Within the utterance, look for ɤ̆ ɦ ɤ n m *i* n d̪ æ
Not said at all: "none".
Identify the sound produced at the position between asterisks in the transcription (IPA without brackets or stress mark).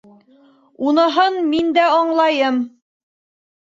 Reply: i